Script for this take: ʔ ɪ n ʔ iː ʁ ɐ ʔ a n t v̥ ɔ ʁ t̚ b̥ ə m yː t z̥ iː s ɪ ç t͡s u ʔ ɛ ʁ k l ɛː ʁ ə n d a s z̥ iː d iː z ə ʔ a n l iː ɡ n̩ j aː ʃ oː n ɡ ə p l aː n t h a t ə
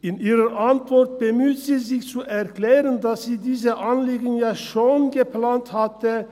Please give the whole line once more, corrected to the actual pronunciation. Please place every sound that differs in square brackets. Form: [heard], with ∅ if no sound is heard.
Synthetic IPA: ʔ ɪ n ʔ iː ʁ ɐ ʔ a n t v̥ ɔ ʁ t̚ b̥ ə m yː t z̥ iː [z] ɪ ç t͡s u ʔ ɛ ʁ k l ɛː ʁ ə n d a s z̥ iː d iː z ə ʔ a n l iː ɡ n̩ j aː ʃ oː n ɡ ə p l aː n t h a t ə